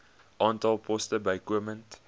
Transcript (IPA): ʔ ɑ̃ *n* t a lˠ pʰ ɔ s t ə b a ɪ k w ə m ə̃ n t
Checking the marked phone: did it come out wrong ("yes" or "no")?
no